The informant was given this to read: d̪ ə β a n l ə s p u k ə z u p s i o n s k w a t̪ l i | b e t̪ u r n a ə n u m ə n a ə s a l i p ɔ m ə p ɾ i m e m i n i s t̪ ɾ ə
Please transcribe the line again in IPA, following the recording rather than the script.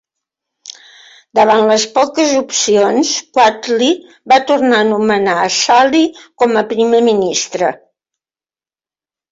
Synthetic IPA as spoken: d̪ ə β a n l ə s p ɔ k ə z u p s i o n s k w a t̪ l i | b a t̪ u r n a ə n u m ə n a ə s a l i k ɔ m ə p ɾ i m e m i n i s t̪ ɾ ə